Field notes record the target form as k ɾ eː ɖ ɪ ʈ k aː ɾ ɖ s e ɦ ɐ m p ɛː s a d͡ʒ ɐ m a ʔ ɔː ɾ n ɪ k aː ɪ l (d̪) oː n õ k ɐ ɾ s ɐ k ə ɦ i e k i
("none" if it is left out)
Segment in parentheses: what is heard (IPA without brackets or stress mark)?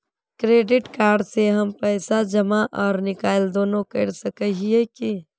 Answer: d̪